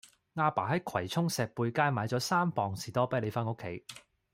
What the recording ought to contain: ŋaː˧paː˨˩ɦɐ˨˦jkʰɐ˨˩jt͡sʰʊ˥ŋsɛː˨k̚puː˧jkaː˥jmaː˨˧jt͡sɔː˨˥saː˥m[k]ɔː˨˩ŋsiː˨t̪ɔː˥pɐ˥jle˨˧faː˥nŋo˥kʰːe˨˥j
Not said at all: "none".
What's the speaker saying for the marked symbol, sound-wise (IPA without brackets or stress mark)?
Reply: p